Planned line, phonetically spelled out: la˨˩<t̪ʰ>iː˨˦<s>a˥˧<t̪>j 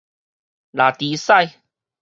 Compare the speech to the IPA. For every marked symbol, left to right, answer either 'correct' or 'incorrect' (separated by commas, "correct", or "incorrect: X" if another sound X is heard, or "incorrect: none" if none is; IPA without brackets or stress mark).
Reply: incorrect: t̪, correct, incorrect: none